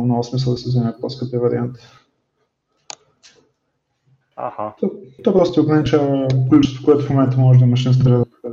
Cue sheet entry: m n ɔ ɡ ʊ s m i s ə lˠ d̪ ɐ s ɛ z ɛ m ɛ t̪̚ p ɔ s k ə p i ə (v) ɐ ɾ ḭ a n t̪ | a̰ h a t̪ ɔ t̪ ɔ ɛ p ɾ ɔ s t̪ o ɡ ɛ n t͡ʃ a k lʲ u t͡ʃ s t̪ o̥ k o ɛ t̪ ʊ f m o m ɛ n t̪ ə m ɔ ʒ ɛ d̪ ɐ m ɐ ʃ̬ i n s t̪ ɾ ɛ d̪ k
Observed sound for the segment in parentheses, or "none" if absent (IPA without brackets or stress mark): v